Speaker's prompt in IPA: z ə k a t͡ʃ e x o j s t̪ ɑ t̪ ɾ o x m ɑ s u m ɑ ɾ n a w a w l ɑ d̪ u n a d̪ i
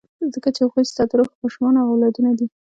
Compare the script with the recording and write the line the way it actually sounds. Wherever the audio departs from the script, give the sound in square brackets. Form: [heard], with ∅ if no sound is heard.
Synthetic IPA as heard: z ə k a t͡ʃ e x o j s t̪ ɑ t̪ ɾ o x m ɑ [ʃ] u m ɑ [∅] n a [ɣ] a w l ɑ d̪ u n a d̪ i